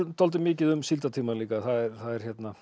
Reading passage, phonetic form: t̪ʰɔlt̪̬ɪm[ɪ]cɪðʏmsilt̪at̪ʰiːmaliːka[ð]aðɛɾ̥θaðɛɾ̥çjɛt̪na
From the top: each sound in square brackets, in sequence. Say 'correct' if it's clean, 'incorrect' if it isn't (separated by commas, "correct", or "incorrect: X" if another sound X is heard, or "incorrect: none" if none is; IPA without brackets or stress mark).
incorrect: ɪː, incorrect: θ